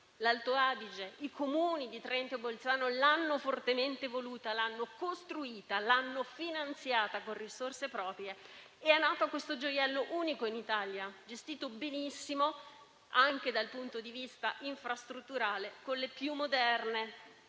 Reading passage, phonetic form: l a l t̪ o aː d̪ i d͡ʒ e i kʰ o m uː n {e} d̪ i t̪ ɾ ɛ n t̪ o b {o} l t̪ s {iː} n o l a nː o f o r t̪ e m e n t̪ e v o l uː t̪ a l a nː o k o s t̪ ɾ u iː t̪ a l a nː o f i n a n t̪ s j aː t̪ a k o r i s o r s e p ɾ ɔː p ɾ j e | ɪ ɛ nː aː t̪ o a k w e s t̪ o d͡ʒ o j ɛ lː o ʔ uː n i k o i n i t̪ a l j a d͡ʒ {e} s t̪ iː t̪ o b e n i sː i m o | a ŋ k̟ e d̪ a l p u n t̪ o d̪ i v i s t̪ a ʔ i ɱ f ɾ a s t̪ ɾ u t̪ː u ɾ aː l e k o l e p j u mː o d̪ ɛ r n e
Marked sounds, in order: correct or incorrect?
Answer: incorrect, correct, incorrect, correct

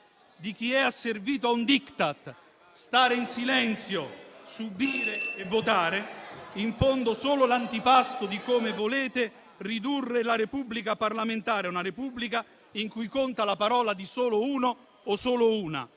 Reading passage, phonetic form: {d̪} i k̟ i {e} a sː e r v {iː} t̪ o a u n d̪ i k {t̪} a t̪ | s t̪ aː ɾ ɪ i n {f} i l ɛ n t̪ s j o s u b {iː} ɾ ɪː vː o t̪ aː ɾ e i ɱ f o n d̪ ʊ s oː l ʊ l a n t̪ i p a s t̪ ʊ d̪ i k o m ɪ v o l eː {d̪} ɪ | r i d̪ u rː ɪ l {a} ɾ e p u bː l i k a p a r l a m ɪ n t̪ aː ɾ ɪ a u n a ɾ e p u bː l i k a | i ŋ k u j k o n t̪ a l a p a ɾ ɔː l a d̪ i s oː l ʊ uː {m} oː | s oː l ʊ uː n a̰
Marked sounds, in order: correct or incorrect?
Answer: correct, incorrect, correct, correct, incorrect, correct, incorrect, correct, incorrect

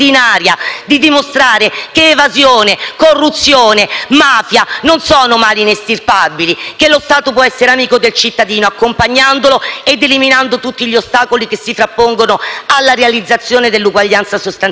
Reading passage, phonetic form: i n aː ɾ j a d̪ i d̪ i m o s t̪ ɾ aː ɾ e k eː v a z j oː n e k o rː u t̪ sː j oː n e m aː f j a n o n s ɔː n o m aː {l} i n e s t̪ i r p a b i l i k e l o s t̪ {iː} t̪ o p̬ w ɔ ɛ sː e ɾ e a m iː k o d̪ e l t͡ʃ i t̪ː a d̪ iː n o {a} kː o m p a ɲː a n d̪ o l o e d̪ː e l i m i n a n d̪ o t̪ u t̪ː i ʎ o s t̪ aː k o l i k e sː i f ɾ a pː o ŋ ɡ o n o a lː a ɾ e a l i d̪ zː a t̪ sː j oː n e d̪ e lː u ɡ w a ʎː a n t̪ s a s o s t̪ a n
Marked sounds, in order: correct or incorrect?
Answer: correct, incorrect, correct

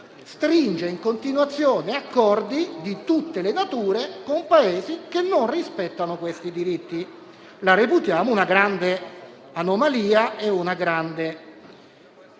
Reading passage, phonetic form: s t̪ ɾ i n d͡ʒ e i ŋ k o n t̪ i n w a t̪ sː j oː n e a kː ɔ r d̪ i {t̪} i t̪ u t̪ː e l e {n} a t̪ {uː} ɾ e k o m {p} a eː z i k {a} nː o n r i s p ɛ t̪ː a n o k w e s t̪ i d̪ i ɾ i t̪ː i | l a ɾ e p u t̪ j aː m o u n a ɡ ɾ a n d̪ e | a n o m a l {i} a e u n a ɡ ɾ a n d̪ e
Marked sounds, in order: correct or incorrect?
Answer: incorrect, correct, correct, correct, incorrect, incorrect

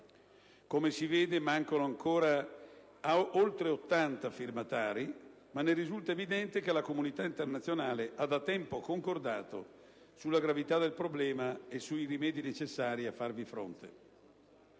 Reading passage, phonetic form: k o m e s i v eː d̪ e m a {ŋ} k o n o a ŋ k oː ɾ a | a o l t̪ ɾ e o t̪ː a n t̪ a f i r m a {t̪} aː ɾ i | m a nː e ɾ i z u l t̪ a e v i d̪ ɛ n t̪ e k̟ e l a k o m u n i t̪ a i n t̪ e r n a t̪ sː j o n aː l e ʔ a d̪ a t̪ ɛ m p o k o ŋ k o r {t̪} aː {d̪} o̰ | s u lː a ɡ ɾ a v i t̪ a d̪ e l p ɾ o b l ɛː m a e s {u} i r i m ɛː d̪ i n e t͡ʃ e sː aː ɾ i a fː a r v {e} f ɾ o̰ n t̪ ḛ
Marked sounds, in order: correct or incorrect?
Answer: correct, correct, incorrect, incorrect, correct, incorrect

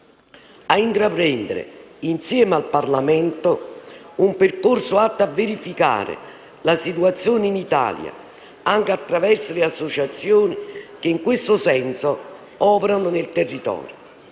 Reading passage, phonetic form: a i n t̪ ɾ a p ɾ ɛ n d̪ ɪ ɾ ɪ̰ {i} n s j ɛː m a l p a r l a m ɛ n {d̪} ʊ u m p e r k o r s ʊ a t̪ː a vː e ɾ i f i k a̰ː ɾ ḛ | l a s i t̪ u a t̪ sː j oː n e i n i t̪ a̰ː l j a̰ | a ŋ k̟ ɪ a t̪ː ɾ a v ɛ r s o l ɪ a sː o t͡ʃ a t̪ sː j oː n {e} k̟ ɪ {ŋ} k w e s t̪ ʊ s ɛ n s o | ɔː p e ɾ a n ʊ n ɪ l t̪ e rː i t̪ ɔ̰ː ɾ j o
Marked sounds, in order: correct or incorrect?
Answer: correct, incorrect, incorrect, correct

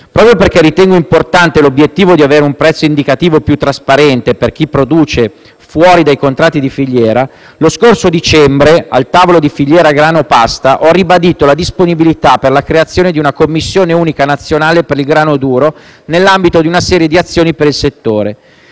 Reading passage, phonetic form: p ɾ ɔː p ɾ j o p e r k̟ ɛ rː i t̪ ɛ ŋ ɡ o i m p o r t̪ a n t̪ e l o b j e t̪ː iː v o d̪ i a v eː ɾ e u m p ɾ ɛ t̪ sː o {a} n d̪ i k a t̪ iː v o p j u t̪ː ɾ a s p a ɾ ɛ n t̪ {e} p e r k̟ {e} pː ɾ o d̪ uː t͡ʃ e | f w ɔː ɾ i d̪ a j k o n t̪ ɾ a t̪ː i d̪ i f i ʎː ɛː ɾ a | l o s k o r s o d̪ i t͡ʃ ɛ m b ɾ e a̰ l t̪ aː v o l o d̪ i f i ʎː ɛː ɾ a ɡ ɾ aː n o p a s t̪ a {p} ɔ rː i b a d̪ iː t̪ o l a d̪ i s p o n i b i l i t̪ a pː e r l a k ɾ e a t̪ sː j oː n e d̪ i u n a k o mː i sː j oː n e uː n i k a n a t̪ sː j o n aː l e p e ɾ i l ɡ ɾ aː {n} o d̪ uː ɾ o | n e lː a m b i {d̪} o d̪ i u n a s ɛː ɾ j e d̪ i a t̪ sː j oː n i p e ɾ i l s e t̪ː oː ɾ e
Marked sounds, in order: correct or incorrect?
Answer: incorrect, correct, incorrect, incorrect, correct, incorrect

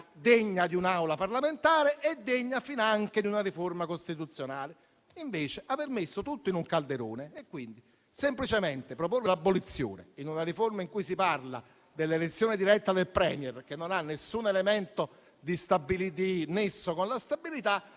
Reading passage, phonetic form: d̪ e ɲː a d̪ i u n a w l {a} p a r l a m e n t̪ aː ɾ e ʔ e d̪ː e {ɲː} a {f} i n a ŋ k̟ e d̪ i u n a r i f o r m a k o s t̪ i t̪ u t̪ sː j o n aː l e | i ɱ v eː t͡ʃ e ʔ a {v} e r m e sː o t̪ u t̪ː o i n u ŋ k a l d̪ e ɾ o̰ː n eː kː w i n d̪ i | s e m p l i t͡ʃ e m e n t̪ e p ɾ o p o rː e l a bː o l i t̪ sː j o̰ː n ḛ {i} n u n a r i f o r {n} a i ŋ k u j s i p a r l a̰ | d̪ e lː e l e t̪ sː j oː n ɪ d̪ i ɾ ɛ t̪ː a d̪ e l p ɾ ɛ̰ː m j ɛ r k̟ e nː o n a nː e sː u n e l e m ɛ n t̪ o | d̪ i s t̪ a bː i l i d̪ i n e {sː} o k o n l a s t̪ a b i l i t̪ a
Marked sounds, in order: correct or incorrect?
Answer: correct, correct, correct, correct, correct, incorrect, correct

